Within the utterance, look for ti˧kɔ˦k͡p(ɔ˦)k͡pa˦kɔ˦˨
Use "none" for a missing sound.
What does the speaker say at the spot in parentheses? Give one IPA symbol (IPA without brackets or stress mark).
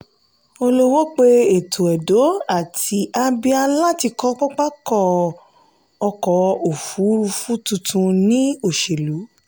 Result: ɔ˦